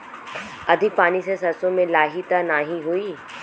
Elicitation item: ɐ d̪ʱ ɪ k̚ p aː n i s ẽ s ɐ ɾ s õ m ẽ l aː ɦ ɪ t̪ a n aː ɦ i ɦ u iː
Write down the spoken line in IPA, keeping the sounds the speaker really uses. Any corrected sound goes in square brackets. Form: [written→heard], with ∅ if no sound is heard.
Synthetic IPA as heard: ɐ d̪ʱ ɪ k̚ p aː n i s [ẽ→e] s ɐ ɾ s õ m ẽ l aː ɦ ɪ t̪ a n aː ɦ i ɦ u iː